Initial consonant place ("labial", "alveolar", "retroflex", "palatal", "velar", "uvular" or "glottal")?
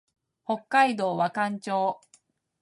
glottal